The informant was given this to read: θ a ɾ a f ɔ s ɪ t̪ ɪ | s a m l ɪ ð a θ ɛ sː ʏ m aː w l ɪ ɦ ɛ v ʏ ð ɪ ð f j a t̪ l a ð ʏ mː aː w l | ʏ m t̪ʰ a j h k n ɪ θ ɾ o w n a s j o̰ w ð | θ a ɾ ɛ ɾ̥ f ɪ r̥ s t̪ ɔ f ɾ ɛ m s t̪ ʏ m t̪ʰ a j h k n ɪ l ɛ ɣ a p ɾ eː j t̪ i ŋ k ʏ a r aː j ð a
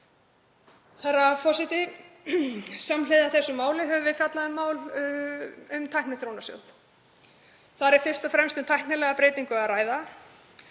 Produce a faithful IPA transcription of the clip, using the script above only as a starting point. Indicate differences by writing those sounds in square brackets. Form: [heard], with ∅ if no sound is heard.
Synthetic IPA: θ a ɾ a f ɔ s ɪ t̪ ɪ | s a m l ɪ ð a θ ɛ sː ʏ m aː w l ɪ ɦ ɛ v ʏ [v] ɪ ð f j a t̪ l a ð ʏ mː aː w l | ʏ m t̪ʰ a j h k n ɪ θ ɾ o w n a s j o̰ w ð | θ a ɾ ɛ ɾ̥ f ɪ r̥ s t̪ ɔ f ɾ ɛ m s t̪ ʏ m t̪ʰ a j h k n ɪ l ɛ ɣ a p ɾ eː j t̪ i ŋ k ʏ a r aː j ð a